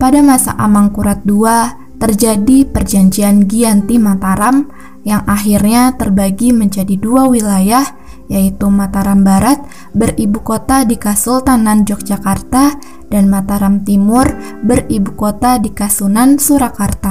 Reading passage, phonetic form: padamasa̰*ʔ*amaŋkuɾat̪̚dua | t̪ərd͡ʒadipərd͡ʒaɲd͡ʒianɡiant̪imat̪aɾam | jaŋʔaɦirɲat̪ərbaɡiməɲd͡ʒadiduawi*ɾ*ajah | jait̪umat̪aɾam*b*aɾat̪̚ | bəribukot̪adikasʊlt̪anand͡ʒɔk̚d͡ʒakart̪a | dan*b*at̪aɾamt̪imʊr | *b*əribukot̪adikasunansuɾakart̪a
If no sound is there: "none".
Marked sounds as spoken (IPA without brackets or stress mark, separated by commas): ʔ, l, b, m, b